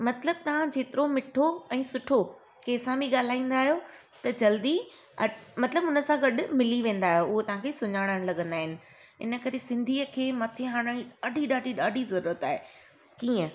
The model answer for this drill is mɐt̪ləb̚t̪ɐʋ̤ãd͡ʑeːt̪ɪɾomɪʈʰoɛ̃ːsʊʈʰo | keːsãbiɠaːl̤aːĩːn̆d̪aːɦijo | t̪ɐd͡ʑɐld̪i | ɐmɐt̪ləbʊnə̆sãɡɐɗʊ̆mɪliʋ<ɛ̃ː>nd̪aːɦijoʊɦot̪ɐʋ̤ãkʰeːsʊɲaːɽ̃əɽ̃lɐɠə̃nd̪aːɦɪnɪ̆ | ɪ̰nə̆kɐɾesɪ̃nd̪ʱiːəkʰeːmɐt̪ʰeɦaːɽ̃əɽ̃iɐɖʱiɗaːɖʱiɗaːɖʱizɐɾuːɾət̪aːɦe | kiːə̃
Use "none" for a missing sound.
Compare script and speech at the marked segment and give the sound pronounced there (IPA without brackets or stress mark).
ẽː